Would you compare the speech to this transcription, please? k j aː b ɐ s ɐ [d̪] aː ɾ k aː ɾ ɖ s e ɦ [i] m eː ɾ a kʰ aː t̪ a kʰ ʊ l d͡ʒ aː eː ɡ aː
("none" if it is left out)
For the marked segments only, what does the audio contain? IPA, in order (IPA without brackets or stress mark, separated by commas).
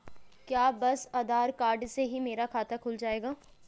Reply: d̪, i